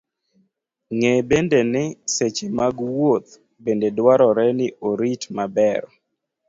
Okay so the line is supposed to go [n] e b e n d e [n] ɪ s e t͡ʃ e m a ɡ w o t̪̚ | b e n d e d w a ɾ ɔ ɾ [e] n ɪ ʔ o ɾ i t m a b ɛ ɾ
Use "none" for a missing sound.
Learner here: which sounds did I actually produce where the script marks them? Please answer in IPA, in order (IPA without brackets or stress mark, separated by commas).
ŋ, n, ɛ